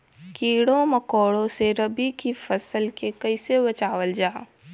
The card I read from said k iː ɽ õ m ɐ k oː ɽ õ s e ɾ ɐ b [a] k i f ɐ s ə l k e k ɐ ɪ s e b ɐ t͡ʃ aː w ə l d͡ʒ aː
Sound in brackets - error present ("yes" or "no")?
yes